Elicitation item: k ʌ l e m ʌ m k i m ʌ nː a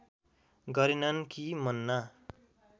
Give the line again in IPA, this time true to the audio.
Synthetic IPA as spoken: ɡ ʌ ɾ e n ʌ n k i m ʌ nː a